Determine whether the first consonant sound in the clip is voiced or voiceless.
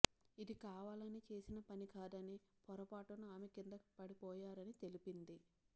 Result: voiced